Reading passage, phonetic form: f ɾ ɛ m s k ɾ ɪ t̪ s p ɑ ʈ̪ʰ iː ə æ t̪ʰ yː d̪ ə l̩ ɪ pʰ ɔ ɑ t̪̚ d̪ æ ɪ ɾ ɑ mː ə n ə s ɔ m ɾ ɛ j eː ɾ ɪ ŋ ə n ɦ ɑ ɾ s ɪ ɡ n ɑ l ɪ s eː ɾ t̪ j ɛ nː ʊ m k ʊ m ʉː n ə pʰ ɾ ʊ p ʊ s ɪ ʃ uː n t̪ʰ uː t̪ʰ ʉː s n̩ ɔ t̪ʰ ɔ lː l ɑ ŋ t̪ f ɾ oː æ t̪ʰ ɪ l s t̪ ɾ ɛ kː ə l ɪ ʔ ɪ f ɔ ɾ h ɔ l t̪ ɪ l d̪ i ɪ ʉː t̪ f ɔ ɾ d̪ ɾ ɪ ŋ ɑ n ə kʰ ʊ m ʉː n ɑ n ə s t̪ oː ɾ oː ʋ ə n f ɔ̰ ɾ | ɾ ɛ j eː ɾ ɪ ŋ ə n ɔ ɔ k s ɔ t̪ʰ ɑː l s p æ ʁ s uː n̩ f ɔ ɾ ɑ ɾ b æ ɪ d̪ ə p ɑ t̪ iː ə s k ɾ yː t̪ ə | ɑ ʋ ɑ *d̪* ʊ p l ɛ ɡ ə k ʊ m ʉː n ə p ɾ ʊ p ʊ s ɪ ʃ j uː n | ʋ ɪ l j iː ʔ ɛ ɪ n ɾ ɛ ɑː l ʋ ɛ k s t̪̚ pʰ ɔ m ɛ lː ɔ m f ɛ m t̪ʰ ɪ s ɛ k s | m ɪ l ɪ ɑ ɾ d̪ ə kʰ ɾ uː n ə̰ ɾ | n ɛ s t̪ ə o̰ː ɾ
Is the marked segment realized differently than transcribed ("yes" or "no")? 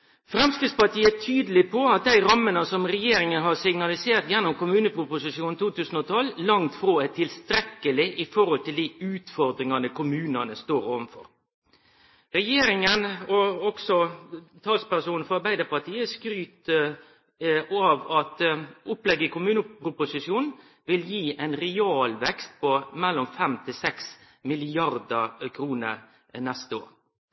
yes